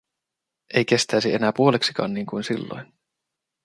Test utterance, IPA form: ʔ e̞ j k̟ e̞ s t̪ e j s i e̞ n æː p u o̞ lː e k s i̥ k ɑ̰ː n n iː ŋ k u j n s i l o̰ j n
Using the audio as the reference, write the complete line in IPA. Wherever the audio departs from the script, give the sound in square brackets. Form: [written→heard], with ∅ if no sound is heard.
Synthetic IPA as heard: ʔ e̞ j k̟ e̞ s t̪ [e→æ] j s i e̞ n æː p u o̞ [lː→l] e k s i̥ k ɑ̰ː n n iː ŋ k u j n s i [l→lː] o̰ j n